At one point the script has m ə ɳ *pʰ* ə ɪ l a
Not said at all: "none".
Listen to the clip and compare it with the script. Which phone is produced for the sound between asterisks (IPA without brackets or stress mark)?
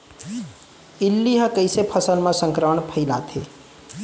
pʰ